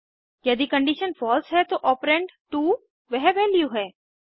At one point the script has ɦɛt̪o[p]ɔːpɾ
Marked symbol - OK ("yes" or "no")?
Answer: no